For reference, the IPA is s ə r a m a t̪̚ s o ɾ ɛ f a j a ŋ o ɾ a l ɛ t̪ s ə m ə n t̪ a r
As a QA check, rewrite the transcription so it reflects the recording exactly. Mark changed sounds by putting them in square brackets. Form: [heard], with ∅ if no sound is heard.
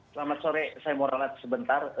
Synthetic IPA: s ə [l] a m a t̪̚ s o ɾ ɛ [s] a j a [m] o ɾ a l [a] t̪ s ə [b] ə n t̪ a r